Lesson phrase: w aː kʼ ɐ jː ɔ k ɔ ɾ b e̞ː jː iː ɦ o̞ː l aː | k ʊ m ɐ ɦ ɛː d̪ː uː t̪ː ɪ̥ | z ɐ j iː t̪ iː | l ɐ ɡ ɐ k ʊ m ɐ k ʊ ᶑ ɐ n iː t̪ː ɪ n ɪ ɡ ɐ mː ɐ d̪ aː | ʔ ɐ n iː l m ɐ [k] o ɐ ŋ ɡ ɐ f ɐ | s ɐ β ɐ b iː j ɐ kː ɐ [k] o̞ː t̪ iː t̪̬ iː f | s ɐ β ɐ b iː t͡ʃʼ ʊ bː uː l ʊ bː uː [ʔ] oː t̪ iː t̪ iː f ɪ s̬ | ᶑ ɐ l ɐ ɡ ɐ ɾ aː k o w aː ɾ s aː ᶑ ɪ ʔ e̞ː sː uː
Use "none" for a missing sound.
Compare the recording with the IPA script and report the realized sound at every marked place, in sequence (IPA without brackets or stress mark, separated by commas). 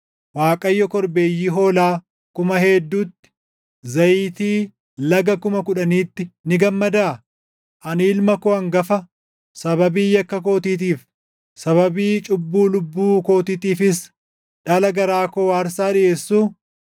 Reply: k, k, k